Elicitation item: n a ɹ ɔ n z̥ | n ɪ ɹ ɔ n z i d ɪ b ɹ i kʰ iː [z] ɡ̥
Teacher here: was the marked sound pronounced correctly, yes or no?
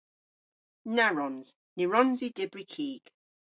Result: no